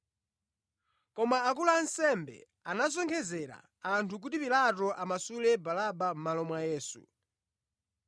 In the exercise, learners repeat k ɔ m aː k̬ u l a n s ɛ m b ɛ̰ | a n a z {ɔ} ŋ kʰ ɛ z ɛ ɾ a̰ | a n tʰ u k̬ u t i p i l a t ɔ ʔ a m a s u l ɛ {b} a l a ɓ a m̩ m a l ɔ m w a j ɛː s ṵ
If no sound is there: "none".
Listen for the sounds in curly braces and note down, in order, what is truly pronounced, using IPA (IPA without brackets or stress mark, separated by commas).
ɔ, b